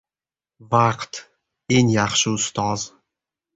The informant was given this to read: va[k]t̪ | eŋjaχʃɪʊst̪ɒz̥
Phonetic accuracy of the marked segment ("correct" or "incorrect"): incorrect